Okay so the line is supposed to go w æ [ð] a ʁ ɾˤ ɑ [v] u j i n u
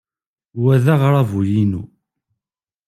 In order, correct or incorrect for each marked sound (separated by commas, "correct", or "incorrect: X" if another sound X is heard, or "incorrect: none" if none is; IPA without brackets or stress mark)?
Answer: correct, correct